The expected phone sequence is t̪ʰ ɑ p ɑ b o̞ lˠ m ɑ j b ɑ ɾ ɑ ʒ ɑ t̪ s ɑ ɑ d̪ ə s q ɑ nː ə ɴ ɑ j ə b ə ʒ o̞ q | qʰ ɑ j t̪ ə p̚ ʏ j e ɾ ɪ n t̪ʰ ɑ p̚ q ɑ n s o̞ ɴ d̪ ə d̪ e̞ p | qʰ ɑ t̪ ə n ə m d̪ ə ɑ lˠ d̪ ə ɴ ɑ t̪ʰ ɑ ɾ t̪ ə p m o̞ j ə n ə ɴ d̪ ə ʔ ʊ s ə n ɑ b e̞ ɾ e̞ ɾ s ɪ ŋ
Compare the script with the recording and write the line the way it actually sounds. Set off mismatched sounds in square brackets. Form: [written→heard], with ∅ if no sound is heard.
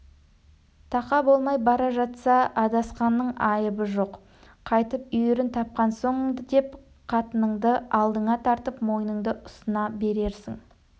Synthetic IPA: t̪ʰ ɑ [p→q] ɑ b o̞ lˠ m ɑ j b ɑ ɾ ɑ ʒ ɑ t̪ s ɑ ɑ d̪ [ə→ɑ] s q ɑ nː ə ɴ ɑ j ə b ə ʒ o̞ q | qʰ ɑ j t̪ ə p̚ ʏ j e ɾ ɪ n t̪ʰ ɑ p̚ q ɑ n s o̞ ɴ d̪ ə d̪ e̞ p | qʰ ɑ t̪ ə n ə [m→ɴ] d̪ ə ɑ lˠ d̪ ə ɴ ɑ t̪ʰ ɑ ɾ t̪ ə p m o̞ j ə n ə ɴ d̪ ə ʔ ʊ s ə n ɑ b e̞ ɾ e̞ ɾ s ɪ ŋ